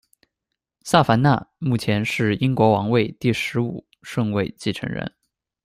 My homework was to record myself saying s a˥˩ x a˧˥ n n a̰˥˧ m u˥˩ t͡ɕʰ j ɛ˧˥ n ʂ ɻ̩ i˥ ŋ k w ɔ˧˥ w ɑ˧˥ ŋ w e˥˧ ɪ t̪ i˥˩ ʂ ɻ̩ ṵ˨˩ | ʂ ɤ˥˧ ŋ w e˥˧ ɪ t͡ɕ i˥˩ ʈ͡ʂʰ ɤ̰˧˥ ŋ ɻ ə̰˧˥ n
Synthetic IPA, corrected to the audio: s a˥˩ f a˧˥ n n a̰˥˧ m u˥˩ t͡ɕʰ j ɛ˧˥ n ʂ ɻ̩ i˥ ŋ k w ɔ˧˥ w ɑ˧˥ ŋ w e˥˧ ɪ t̪ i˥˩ ʂ ɻ̩ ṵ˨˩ | ʂ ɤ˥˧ ŋ w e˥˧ ɪ t͡ɕ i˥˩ ʈ͡ʂʰ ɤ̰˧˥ ŋ ɻ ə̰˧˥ n